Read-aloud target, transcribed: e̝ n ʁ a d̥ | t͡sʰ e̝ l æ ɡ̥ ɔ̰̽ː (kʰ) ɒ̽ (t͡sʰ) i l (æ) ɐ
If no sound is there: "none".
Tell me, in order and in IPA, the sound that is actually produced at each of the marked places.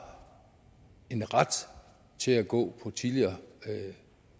pʰ, t͡sʰ, i

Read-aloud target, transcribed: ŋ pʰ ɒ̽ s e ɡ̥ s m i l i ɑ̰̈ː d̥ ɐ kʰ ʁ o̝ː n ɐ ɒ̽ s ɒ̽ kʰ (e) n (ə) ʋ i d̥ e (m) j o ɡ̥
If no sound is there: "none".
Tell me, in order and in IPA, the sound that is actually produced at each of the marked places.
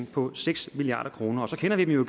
e, ɐ, m

